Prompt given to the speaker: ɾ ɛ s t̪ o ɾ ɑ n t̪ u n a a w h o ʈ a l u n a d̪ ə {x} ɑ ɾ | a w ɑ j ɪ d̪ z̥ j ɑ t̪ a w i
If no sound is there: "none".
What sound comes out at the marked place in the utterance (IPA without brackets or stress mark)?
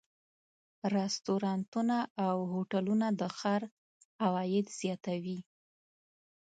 x